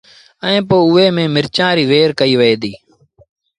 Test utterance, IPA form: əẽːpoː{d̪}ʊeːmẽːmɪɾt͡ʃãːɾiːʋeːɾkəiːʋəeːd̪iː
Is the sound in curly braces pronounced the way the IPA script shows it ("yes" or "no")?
no